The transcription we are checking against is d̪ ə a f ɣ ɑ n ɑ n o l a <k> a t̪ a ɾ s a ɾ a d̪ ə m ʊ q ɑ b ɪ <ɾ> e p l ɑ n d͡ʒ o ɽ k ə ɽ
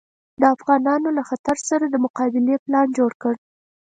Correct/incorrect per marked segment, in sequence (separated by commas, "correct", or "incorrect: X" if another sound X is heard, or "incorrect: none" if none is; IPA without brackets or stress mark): incorrect: x, incorrect: l